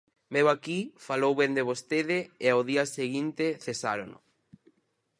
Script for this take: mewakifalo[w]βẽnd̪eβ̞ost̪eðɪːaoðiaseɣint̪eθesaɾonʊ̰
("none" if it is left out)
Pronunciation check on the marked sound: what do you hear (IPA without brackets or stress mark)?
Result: w